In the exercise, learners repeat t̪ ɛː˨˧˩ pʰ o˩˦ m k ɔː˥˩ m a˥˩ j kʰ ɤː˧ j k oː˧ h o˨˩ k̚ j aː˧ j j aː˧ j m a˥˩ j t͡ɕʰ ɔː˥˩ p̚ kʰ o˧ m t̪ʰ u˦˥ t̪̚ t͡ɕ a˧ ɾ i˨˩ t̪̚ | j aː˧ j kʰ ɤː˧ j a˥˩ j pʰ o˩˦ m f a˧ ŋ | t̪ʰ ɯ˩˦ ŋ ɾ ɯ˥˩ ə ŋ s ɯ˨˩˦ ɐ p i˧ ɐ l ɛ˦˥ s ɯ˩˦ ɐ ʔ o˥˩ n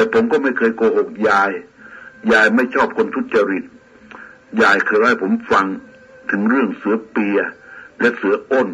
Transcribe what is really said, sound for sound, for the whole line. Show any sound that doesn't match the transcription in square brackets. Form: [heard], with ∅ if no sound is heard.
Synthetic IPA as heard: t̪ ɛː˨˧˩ pʰ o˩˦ m k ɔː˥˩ m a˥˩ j kʰ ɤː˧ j k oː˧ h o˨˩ k̚ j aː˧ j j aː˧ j m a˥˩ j t͡ɕʰ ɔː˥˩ p̚ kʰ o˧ [n] t̪ʰ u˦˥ t̪̚ t͡ɕ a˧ ɾ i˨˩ t̪̚ | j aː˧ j kʰ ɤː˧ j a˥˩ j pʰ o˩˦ m f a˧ ŋ | t̪ʰ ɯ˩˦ ŋ ɾ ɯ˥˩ ə ŋ s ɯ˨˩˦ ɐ p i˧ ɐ l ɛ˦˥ s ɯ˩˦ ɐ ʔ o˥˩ n